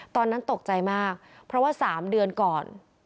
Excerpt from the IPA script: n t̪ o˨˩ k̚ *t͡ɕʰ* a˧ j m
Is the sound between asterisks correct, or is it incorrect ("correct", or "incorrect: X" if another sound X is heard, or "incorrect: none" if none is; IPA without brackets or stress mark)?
incorrect: t͡ɕ